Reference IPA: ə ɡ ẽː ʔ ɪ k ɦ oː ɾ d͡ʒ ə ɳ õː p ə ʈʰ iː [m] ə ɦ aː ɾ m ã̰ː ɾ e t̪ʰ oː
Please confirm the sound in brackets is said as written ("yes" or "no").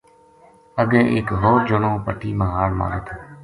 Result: yes